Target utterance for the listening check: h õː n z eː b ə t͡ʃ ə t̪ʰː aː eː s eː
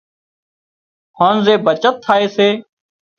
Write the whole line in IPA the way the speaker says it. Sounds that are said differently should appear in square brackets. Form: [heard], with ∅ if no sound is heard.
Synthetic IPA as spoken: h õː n z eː b ə t͡ʃ ə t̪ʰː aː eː s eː